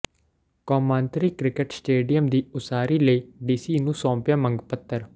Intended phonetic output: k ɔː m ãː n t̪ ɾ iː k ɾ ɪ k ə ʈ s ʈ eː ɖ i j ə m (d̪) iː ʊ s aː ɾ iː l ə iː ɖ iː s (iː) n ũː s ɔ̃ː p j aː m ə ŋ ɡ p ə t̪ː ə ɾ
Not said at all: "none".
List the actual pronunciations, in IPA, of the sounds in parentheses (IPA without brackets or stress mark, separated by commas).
d̪, iː